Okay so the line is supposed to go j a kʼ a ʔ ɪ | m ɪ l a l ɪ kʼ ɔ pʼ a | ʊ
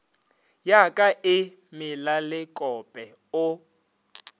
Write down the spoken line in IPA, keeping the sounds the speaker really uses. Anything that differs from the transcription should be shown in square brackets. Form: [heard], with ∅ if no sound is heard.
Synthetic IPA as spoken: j a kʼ a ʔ ɪ | m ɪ l a l ɪ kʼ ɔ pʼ [ɛ] | ʊ